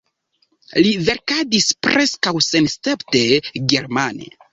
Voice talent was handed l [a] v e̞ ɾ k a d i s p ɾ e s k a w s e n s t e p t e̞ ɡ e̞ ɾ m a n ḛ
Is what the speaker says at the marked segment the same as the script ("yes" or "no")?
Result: no